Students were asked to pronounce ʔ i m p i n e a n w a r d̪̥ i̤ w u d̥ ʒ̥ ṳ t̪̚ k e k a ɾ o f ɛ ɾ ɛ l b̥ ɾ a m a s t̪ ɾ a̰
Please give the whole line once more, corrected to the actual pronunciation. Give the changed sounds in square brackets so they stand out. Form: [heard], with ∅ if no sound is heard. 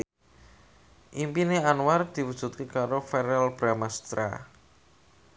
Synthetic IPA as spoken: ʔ i m p i n e a n w a r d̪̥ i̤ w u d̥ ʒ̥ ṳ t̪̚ k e k a ɾ o f ɛ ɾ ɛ l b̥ ɾ a m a s t̪ ɾ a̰